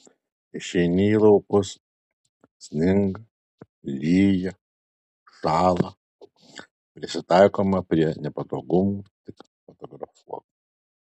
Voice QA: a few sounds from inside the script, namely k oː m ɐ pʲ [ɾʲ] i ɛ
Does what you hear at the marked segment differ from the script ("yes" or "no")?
no